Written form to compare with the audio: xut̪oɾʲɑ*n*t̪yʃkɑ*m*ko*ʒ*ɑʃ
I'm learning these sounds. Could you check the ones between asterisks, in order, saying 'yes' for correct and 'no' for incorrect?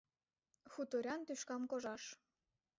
yes, yes, yes

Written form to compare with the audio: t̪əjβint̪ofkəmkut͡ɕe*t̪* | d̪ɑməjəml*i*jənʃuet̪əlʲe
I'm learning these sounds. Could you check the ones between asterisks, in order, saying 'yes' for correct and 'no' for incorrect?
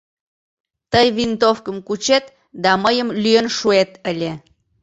yes, no

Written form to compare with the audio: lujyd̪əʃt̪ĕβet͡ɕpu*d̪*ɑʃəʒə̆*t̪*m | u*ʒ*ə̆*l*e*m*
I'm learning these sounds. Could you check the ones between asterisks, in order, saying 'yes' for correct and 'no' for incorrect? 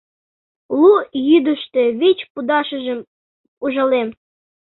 yes, no, yes, yes, yes

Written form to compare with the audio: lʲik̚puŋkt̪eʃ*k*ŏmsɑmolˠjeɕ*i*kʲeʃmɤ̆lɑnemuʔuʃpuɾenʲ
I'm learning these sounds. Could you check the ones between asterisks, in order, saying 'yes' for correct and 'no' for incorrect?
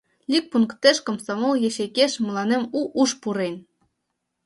yes, no

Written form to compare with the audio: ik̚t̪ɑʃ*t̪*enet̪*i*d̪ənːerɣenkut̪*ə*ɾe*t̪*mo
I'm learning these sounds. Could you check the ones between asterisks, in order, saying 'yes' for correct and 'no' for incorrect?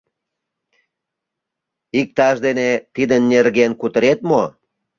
no, yes, yes, yes

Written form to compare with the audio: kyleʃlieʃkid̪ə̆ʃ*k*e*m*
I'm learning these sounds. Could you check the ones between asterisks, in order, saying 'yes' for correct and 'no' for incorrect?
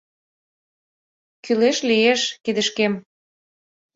yes, yes

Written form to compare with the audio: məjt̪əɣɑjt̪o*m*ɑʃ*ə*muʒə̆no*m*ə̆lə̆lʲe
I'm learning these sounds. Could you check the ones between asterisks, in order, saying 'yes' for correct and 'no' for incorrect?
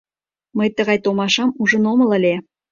yes, no, yes

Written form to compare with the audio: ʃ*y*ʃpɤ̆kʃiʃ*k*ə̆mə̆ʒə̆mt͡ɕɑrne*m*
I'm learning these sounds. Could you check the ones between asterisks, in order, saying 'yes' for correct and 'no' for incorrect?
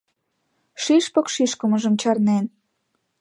no, yes, no

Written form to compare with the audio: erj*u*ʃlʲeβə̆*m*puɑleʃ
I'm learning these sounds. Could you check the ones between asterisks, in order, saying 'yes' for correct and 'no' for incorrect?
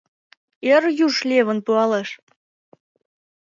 yes, no

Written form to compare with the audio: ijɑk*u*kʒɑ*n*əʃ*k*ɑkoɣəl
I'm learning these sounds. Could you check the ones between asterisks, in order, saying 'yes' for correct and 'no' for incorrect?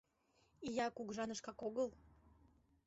yes, yes, yes

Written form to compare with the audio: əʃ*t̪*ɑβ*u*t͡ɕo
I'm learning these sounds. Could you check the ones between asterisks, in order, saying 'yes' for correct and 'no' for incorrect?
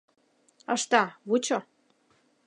yes, yes

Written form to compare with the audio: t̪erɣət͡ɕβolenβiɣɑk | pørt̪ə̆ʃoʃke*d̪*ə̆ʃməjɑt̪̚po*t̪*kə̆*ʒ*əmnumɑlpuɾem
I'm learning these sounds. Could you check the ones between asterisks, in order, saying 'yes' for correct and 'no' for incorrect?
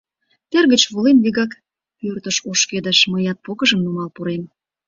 yes, no, yes

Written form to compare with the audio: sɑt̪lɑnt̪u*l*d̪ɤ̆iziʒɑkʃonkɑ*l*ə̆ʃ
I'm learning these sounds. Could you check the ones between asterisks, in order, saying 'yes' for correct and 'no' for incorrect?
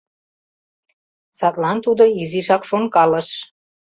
no, yes

